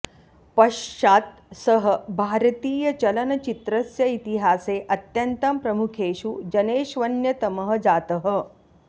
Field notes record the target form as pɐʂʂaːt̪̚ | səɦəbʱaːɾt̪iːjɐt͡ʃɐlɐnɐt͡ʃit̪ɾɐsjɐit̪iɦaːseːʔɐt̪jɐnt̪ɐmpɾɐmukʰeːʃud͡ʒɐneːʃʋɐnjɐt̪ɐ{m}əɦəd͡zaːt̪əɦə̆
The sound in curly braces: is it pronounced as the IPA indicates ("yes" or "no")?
yes